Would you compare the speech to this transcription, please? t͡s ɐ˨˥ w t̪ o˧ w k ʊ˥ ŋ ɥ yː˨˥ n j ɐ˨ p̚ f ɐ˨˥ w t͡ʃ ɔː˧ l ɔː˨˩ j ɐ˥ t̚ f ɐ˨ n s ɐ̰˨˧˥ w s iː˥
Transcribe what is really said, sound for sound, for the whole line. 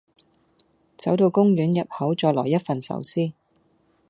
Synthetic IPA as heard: t͡s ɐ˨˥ w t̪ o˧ w k ʊ˥ ŋ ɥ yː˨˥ n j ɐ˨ p̚ h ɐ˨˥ w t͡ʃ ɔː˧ l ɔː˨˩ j ɐ˥ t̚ f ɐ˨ n s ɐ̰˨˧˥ w s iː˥